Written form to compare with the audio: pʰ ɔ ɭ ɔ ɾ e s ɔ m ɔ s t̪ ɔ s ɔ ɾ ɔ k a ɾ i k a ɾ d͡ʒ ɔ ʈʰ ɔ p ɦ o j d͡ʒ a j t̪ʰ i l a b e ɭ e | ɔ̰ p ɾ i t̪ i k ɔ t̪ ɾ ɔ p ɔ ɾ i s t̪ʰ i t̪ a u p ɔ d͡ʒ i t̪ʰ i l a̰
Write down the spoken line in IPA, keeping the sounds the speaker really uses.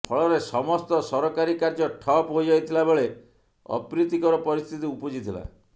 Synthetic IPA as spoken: pʰ ɔ ɭ ɔ ɾ e s ɔ m ɔ s t̪ ɔ s ɔ ɾ ɔ k a ɾ i k a ɾ d͡ʒ ɔ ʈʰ ɔ p ɦ o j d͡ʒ a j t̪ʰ i l a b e ɭ e | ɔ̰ p ɾ i t̪ i k ɔ ɾ ɔ p ɔ ɾ i s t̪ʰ i t̪ i u p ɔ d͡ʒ i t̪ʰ i l a̰